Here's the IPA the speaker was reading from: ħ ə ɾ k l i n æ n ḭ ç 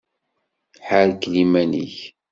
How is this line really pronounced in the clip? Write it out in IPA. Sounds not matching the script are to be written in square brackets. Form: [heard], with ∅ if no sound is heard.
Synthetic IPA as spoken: ħ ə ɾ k l i [m] æ n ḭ ç

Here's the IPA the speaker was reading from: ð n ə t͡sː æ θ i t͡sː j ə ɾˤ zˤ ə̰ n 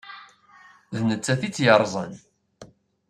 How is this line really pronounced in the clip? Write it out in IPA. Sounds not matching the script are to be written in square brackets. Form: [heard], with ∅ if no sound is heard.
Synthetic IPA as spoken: ð n ə t͡sː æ θ i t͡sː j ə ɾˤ zˤ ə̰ n

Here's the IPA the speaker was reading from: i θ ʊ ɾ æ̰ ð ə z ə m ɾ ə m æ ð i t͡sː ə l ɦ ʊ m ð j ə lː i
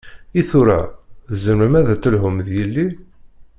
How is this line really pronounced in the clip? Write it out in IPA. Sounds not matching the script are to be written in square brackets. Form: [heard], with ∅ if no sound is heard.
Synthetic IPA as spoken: i θ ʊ ɾ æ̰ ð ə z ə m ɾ ə m æ ð [æ] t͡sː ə l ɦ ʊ m ð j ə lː i

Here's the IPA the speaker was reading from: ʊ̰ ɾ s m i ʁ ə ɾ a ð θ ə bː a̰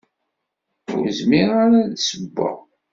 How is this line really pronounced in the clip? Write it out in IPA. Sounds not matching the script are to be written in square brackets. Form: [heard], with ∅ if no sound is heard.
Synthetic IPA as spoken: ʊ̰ ɾ [z] m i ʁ [a] ɾ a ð [s] ə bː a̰

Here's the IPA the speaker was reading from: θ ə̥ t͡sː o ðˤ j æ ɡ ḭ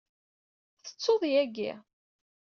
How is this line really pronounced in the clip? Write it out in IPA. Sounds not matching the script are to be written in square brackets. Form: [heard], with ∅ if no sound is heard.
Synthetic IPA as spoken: θ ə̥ t͡sː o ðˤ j æ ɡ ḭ

